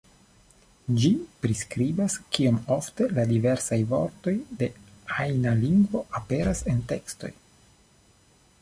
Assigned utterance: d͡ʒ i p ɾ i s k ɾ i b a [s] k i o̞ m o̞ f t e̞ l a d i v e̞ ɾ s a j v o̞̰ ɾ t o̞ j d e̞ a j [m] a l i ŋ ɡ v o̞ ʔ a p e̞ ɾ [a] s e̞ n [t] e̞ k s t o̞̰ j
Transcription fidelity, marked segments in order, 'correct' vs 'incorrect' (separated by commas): correct, incorrect, correct, correct